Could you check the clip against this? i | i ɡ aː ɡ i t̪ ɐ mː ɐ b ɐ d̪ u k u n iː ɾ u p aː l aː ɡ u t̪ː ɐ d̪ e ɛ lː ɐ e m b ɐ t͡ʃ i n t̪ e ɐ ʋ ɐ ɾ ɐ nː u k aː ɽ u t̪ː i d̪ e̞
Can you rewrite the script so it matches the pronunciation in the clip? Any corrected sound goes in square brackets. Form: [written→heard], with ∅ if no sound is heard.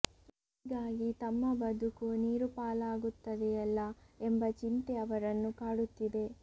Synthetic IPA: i | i ɡ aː ɡ i t̪ ɐ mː ɐ b ɐ d̪ u k u n iː ɾ u p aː l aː ɡ u t̪ː ɐ d̪ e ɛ lː ɐ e m b ɐ t͡ʃ i n t̪ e ɐ ʋ ɐ ɾ ɐ nː u k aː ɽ u t̪ː i d̪ e̞